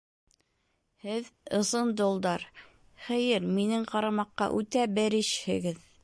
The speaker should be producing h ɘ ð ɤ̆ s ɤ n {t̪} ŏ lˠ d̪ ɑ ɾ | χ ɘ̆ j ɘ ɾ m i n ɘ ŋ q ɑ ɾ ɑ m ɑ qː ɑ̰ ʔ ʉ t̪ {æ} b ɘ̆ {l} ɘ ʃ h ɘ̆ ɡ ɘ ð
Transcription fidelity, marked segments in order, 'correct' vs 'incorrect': incorrect: d̪, correct, incorrect: ɾ

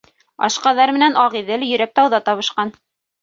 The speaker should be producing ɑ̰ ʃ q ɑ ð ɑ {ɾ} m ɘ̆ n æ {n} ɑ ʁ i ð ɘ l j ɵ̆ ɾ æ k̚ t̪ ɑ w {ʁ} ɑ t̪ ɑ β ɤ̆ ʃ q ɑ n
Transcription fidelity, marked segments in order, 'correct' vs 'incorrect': correct, correct, incorrect: ð

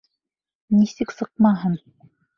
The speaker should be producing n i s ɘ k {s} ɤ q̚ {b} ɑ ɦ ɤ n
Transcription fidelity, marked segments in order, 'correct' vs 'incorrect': correct, incorrect: m

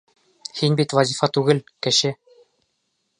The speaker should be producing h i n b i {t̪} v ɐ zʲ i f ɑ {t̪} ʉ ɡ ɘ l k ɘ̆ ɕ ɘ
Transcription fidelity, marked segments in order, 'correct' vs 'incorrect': correct, correct

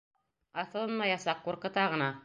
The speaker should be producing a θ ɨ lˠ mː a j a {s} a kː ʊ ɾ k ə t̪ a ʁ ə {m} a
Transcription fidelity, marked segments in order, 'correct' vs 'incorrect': correct, incorrect: n

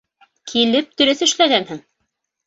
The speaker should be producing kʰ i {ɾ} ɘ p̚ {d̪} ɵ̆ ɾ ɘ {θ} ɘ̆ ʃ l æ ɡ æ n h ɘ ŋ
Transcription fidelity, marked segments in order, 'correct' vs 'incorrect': incorrect: l, incorrect: t̪, correct

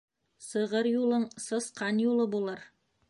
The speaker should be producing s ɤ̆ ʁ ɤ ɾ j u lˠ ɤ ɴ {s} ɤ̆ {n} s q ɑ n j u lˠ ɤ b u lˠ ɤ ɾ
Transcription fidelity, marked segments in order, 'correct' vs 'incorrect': correct, incorrect: none

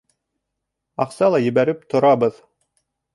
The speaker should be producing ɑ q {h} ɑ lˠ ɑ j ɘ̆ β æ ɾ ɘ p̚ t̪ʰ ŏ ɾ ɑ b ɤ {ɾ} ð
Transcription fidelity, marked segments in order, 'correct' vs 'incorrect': incorrect: s, incorrect: none

